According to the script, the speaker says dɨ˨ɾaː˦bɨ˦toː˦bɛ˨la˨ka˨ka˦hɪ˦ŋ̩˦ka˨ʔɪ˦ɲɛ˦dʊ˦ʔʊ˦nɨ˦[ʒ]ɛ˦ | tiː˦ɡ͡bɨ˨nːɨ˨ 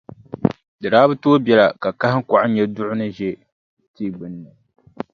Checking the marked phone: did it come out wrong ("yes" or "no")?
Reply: no